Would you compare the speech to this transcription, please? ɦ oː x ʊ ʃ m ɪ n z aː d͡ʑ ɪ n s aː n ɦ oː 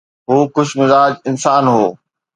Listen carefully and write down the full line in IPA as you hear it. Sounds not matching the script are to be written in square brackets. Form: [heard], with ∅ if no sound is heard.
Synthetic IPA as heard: ɦ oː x ʊ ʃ m ɪ [∅] z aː d͡ʑ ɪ n s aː n ɦ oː

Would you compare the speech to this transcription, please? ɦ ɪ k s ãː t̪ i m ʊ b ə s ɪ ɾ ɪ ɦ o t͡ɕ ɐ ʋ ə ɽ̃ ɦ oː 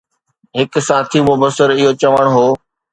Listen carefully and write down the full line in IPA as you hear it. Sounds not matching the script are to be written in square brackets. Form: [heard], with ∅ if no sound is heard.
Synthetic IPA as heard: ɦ ɪ k s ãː [t̪ʰ] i m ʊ b ə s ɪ ɾ ɪ ɦ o t͡ɕ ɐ ʋ ə ɽ̃ ɦ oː

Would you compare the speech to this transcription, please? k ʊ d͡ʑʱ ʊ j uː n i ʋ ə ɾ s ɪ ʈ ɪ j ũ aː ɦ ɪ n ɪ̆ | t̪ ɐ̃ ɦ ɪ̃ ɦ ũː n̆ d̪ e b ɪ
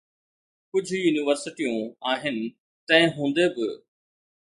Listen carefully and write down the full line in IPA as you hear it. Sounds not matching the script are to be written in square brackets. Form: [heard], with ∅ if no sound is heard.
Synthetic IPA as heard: k ʊ d͡ʑʱ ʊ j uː n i ʋ ə ɾ s ɪ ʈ [i] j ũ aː ɦ ɪ n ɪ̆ | t̪ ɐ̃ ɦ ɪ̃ ɦ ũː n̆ d̪ e b ɪ

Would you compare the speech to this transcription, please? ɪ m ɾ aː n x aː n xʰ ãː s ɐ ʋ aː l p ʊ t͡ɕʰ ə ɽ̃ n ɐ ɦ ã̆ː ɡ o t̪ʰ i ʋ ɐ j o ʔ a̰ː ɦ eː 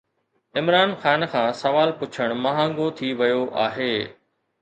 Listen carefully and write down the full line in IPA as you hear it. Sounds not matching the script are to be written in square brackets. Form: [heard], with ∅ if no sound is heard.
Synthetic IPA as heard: ɪ m ɾ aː n x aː n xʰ ãː s ɐ ʋ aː l p ʊ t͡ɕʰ ə ɽ̃ [m] ɐ ɦ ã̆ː ɡ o t̪ʰ i ʋ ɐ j o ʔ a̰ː ɦ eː

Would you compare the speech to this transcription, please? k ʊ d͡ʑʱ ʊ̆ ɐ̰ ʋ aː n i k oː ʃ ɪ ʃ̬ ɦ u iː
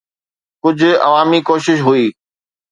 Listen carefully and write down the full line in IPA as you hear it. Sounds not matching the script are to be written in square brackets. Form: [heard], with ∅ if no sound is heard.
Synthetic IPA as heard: k ʊ d͡ʑʱ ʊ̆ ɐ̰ ʋ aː [m] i k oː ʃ ɪ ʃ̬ ɦ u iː

